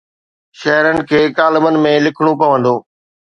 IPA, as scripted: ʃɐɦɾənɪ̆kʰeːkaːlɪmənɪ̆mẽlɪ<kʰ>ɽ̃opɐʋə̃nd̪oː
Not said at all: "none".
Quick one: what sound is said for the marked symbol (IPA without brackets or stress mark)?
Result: kʰ